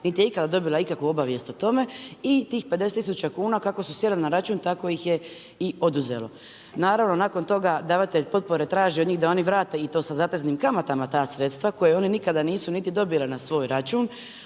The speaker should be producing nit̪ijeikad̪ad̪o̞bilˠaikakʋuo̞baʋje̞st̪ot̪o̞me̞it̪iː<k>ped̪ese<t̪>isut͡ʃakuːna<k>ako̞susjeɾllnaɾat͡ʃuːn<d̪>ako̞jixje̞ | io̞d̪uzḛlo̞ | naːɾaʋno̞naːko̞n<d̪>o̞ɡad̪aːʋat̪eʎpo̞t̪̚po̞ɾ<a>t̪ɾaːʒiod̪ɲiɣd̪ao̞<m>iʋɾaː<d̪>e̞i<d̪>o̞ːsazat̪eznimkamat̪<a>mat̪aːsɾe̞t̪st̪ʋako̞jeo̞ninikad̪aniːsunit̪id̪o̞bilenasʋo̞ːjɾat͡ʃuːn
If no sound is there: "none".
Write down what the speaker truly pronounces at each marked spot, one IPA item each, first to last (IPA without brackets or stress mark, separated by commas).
x, t̪, k, t̪, t̪, e, n, t̪, t̪, a